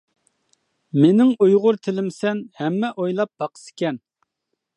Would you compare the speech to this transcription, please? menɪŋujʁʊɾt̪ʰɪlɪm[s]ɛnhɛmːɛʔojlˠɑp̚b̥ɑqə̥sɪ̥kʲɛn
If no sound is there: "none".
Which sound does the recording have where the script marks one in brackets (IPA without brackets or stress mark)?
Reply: s